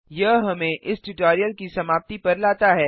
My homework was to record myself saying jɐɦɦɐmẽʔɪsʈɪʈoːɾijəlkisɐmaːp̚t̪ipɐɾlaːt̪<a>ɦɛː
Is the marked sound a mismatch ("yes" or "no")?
no